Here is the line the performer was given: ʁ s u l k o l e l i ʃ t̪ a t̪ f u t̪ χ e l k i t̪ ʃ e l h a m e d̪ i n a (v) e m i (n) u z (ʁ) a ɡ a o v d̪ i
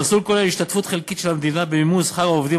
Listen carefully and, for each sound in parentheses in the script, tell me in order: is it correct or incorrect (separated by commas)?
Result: incorrect, incorrect, incorrect